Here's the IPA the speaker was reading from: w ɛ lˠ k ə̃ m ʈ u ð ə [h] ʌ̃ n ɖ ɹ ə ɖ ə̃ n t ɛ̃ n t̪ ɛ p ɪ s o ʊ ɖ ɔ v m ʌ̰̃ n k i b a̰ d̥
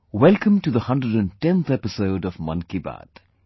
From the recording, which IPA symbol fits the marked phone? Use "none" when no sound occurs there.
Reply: h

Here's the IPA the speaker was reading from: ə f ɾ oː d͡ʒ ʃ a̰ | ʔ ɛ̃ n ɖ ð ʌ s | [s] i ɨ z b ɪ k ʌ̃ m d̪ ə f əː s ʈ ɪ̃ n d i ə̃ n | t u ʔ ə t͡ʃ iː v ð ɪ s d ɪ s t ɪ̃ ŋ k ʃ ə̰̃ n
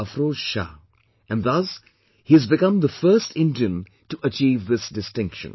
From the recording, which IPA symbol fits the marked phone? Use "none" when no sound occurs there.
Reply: h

